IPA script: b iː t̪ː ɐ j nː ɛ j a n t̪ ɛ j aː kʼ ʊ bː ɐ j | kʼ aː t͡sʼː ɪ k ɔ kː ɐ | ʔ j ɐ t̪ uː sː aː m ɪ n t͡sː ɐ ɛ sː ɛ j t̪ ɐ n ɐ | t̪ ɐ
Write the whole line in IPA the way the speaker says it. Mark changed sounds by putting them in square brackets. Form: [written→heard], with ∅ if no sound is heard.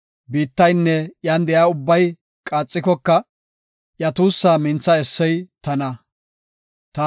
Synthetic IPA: b iː t̪ː ɐ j nː ɛ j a n [t̪→d̪] ɛ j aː [kʼ→∅] ʊ bː ɐ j | kʼ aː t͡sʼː ɪ k ɔ kː ɐ | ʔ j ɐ t̪ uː sː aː m ɪ n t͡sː ɐ ɛ sː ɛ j t̪ ɐ n ɐ | t̪ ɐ